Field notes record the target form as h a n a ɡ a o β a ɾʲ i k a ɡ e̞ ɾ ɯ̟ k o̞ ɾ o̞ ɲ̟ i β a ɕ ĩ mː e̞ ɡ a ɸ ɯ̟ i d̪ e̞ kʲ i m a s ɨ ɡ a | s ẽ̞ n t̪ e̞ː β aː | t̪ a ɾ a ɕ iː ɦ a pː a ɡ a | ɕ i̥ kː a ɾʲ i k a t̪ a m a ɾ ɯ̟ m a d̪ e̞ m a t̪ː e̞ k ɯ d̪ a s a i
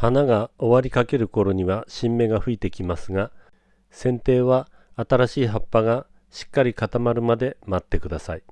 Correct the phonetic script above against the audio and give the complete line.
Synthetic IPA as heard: h a n a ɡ a o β a ɾʲ i k a k e̞ ɾ ɯ̟ k o̞ ɾ o̞ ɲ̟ i β a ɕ ĩ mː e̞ ɡ a ɸ ɯ̟ i t̪ e̞ kʲ i m a s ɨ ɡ a | s ẽ̞ n t̪ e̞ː β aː | t̪ a ɾ a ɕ iː ɦ a pː a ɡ a | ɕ i̥ kː a ɾʲ i k a t̪ a m a ɾ ɯ̟ m a d̪ e̞ m a t̪ː e̞ k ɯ d̪ a s a i